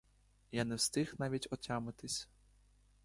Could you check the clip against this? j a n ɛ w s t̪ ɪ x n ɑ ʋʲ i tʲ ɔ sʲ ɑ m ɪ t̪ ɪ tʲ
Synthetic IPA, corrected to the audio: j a n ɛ w s t̪ ɪ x n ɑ ʋʲ i tʲ ɔ tʲ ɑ m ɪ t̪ ɪ sʲ

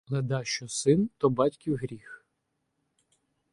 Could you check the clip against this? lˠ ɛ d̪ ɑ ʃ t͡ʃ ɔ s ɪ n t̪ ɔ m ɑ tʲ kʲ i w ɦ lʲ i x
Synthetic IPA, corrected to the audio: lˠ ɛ d̪ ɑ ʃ t͡ʃ ɔ s ɪ n t̪ ɔ b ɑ tʲ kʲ i w ɦ ɾʲ i x

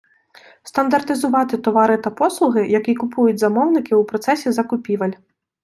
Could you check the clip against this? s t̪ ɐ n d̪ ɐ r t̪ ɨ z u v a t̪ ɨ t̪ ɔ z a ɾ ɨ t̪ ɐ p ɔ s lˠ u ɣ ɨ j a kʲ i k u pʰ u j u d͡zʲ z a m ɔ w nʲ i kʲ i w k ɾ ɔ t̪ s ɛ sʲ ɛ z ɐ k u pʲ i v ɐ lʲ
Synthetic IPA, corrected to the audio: s t̪ ɐ n d̪ ɐ r t̪ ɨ z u v a t̪ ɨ t̪ ɔ v a ɾ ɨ t̪ ɐ p ɔ s lˠ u ɣ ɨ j a kʲ i k u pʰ u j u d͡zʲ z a m ɔ w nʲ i kʲ i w p ɾ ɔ t̪ s ɛ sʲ ɛ z ɐ k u pʲ i v ɐ lʲ

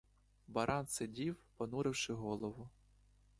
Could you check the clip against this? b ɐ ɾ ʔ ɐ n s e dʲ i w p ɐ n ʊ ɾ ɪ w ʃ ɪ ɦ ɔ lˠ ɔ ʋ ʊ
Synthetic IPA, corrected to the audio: b ɐ ɾ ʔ ɑ n s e dʲ i w p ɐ n u ɾ ɪ w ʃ ɪ ɦ ɔ lˠ ɔ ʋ ʊ

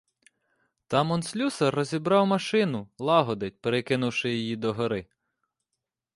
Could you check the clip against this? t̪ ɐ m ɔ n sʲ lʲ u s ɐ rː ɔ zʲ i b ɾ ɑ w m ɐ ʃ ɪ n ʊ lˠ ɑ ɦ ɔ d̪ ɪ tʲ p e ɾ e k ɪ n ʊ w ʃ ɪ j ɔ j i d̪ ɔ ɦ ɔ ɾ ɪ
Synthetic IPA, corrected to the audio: t̪ ɑ m ɔ n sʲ lʲ u s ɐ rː ɔ zʲ i b ɾ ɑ w m ɐ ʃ ɪ n ʊ lˠ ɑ ɦ ɔ d̪ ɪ tʲ p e ɾ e k ɪ n ʊ w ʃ ɪ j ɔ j i d̪ ɔ ɦ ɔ ɾ ɪ

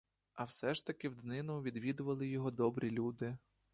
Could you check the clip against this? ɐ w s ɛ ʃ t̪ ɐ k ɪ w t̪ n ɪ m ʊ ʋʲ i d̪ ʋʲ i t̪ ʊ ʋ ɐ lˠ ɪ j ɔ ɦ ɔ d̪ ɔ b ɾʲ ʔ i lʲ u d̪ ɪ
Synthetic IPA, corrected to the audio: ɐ w s ɛ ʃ t̪ ɐ k ɪ w d̪ n ɪ n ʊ ʋʲ i d̪ ʋʲ i d̪ ʊ ʋ ɐ lˠ ɪ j ɔ ɦ ɔ d̪ ɔ b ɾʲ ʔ i lʲ u d̪ ɪ

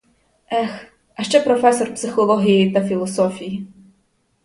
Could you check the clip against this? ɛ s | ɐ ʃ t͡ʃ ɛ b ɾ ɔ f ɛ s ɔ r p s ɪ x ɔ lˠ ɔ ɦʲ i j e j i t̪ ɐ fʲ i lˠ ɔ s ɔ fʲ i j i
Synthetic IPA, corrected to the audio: ɛ x | ɐ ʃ t͡ʃ ɛ p ɾ ɔ f ɛ s ɔ r p s ɪ x ɔ lˠ ɔ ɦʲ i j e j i t̪ ɐ fʲ i lˠ ɔ s ɔ fʲ i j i

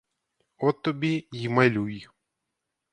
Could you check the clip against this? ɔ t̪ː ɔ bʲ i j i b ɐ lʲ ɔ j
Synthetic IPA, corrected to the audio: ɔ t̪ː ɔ bʲ i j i m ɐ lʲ u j

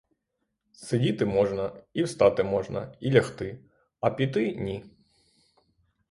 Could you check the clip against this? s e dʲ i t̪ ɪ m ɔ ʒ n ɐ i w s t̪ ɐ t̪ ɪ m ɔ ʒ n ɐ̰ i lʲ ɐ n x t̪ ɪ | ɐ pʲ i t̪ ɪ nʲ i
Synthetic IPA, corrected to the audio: s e dʲ i t̪ ɪ m ɔ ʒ n ɐ i w s t̪ ɑ t̪ ɪ m ɔ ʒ n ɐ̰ i lʲ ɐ x t̪ ɪ | ɐ pʲ i t̪ ɪ nʲ i

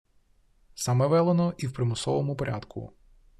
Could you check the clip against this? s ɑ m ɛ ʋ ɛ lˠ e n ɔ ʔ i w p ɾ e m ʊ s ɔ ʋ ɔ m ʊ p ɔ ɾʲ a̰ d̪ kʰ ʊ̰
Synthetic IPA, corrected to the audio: s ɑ m ɛ ʋ ɛ lˠ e n ɔ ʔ i w p ɾ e m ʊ s ɔ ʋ ɔ m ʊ p ɔ ɾʲ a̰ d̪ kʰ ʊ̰

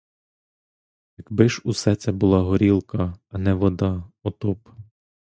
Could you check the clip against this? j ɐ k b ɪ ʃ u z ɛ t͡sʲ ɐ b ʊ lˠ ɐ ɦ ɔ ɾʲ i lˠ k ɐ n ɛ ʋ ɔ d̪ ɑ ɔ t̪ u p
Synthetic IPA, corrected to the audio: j ɐ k b ɪ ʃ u s ɛ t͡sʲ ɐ b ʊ lˠ ɑ ɦ ɔ ɾʲ i lˠ k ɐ n ɛ ʋ ɔ d̪ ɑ ɔ t̪ ɔ p

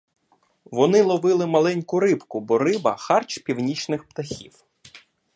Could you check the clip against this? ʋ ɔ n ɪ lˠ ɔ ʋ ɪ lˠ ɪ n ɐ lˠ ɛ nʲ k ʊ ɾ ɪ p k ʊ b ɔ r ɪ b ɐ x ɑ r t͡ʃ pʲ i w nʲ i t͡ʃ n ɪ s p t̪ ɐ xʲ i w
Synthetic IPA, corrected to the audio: ʋ ɔ n ɪ lˠ ɔ ʋ ɪ lˠ ɪ m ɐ lˠ ɛ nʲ k ʊ ɾ ɪ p k ʊ b ɔ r ɪ b ɐ x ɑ r t͡ʃ pʲ i w nʲ i t͡ʃ n ɪ x p t̪ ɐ xʲ i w

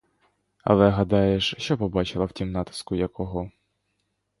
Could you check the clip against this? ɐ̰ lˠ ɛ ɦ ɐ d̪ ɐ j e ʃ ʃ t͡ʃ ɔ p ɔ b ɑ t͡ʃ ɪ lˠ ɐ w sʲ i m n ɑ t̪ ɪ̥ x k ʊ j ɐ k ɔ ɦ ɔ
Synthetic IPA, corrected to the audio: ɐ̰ lˠ ɛ ɦ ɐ d̪ ɑ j e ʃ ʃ t͡ʃ ɔ p ɔ b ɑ t͡ʃ ɪ lˠ ɐ w tʲ i m n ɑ t̪ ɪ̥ s k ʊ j ɐ k ɔ ɦ ɔ

